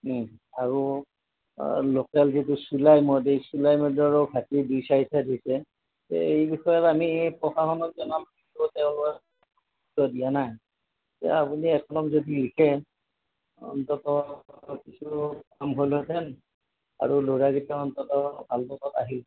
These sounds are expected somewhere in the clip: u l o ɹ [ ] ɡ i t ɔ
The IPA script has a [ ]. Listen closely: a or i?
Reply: a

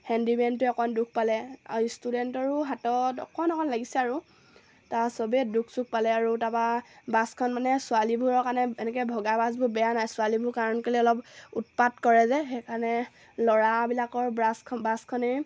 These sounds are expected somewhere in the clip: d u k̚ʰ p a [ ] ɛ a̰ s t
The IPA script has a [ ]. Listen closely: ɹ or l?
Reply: l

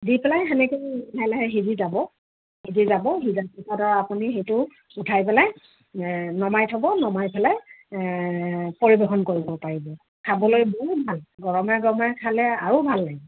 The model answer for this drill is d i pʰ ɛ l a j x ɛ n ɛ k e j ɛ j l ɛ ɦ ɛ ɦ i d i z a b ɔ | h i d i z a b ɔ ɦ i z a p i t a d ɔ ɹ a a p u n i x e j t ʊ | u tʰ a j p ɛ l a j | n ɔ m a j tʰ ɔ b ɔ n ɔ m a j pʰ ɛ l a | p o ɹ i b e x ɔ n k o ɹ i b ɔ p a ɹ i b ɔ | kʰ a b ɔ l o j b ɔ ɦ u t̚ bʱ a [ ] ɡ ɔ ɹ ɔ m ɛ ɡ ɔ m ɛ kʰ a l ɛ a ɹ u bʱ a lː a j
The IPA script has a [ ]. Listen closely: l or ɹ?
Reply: l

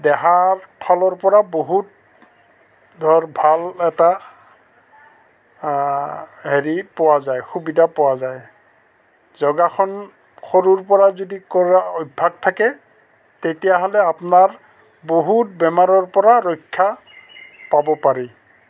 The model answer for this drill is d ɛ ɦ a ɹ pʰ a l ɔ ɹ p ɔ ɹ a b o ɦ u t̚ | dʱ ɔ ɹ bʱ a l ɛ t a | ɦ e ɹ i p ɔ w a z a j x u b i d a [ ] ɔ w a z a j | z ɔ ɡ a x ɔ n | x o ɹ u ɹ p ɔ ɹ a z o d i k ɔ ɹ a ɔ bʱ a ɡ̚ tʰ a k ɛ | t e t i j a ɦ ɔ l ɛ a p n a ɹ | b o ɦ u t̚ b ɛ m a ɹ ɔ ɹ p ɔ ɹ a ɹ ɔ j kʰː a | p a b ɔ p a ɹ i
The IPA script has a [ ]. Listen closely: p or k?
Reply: p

